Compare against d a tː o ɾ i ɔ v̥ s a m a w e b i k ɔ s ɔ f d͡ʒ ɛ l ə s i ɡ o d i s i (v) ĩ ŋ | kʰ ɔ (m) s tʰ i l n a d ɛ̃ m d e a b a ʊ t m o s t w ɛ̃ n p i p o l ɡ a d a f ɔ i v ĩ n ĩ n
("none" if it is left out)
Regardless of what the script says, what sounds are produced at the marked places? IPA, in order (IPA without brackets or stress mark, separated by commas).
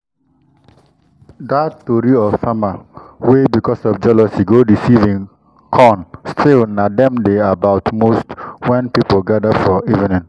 v, n